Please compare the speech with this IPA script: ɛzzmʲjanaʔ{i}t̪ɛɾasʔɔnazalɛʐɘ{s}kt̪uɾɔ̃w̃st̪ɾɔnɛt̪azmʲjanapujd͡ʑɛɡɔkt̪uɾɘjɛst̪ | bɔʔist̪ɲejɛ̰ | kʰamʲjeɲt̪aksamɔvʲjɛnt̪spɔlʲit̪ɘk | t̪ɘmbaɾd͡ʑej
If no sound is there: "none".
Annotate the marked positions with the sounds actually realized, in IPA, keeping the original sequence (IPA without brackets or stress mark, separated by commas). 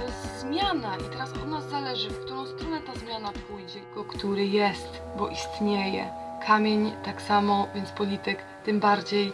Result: i, f